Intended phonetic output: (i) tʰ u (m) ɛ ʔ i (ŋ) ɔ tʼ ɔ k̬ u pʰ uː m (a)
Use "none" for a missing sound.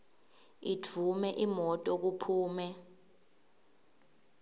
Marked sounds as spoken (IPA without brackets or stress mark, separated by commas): i, m, m, ɛ